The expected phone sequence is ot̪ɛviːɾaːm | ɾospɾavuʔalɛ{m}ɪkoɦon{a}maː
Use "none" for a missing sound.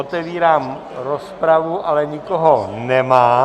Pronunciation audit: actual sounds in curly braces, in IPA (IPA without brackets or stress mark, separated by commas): ɲ, ɛ